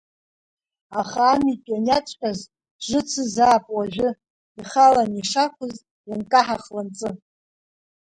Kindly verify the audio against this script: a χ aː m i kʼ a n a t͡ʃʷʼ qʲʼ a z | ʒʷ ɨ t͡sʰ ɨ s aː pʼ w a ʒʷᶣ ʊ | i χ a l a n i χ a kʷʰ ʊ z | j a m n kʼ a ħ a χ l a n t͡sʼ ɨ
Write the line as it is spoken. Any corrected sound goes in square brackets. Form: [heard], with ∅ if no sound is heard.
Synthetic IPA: a χ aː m i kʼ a n a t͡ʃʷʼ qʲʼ a z | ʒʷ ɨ t͡sʰ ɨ [z] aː pʼ w a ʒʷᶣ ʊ | i χ a l a n i [ʂ] a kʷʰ ʊ z | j a [∅] n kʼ a ħ a χ l a n t͡sʼ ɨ